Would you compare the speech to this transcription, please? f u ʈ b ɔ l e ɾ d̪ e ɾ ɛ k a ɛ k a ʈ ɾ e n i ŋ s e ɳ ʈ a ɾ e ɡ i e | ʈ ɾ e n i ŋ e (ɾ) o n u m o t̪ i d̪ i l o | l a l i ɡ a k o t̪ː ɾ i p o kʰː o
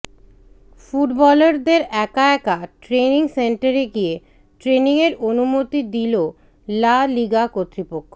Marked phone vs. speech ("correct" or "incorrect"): correct